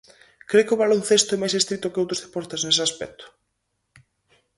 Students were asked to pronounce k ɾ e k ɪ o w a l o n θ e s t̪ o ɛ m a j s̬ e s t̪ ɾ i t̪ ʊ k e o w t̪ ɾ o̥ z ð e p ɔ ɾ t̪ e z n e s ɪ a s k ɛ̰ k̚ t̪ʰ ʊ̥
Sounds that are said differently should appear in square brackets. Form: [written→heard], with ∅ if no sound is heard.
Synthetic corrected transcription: k ɾ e k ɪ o [w→β] a l o n θ e s t̪ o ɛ m a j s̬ e s t̪ ɾ i t̪ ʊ k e o w t̪ ɾ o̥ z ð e p ɔ ɾ t̪ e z n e s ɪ a s [k→p] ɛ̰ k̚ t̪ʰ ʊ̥